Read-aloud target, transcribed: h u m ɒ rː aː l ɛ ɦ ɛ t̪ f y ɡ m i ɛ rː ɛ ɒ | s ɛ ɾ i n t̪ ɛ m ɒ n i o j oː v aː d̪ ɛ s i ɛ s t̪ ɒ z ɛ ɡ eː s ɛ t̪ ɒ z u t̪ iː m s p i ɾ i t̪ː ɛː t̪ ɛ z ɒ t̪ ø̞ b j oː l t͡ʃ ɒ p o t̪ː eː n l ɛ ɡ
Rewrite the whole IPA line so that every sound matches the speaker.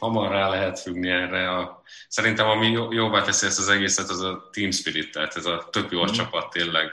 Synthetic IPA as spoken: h ɒ m ɒ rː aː l ɛ ɦ ɛ t̪ f y ɡ n i ɛ rː ɛ ɒ | s ɛ ɾ i n t̪ ɛ m ɒ m i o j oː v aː t̪ ɛ s i ɛ s t̪ ɒ z ɛ ɡ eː s ɛ t̪ ɒ z ɒ t̪ iː m s p i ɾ i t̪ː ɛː t̪ ɛ z ɒ t̪ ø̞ b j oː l t͡ʃ ɒ p ɒ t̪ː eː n l ɛ ɡ